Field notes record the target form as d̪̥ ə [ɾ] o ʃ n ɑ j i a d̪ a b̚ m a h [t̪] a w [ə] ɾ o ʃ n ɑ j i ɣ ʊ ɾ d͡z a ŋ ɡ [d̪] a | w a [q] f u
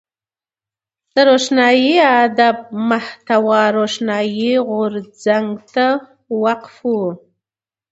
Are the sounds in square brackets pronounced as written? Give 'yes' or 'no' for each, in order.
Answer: yes, yes, no, no, yes

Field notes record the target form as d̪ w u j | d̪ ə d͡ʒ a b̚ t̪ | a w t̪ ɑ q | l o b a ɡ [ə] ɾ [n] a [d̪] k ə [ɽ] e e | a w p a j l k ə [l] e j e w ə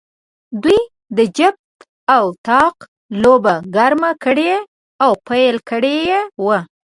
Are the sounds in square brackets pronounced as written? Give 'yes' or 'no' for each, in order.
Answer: no, no, no, yes, no

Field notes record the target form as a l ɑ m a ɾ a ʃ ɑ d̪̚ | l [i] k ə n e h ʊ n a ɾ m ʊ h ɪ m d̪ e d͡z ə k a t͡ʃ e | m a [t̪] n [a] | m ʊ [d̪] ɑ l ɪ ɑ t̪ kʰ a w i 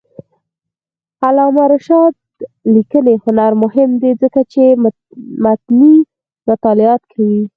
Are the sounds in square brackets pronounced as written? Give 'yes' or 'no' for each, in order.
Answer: yes, yes, no, no

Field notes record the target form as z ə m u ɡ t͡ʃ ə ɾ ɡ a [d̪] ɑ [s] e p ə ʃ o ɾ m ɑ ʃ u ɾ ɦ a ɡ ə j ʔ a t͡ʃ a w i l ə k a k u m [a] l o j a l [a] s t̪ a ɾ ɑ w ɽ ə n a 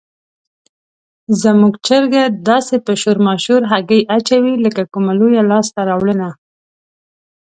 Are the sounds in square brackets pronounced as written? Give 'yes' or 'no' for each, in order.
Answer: yes, yes, yes, no

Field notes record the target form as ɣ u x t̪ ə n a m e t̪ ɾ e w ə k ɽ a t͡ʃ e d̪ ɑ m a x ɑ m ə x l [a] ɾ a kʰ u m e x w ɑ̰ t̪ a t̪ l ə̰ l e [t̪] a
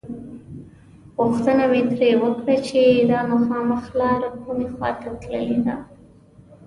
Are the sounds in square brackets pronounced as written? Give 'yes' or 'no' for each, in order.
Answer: no, no

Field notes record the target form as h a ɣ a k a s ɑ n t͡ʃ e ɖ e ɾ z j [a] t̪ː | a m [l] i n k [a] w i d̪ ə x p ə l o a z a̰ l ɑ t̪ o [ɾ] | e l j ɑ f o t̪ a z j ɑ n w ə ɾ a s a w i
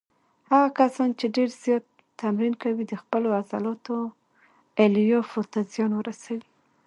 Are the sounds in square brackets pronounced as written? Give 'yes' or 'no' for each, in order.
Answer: no, no, yes, no

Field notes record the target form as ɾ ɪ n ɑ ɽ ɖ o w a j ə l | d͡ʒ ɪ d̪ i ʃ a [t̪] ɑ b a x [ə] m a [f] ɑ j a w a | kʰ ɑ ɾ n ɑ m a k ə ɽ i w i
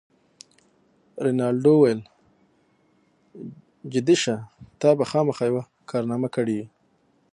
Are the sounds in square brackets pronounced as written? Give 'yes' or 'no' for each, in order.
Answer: yes, no, no

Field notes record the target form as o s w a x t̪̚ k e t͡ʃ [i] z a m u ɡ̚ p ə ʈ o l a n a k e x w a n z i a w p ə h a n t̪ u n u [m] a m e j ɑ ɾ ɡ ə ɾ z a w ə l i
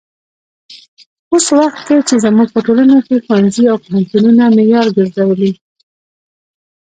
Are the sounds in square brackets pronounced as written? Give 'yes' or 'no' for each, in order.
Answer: no, no

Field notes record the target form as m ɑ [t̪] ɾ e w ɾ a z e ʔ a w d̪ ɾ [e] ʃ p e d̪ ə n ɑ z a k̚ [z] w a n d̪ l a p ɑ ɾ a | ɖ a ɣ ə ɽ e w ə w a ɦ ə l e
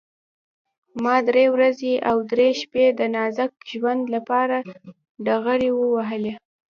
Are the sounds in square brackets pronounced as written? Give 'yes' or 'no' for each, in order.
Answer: no, yes, no

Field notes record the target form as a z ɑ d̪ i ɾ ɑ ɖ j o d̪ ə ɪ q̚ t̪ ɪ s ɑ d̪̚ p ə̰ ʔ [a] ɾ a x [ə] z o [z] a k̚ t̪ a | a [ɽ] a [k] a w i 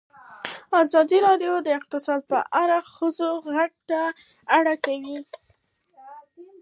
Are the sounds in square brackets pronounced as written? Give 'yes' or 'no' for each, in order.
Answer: yes, yes, no, yes, yes

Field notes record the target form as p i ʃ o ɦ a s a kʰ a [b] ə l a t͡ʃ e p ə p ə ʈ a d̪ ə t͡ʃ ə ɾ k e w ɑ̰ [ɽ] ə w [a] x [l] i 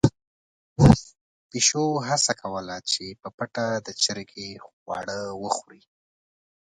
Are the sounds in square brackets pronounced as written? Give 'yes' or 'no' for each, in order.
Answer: no, yes, no, no

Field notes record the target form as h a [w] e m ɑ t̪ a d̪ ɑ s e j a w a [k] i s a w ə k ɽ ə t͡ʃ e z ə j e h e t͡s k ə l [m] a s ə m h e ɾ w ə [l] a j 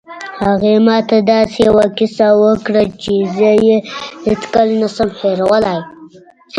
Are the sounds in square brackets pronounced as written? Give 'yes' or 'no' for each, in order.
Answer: no, yes, no, yes

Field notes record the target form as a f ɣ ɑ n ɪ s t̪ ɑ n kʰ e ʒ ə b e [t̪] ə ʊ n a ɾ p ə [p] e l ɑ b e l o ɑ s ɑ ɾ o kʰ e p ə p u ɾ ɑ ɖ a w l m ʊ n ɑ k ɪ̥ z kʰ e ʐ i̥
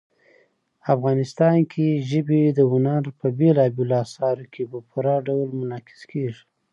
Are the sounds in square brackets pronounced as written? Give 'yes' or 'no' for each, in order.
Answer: no, no

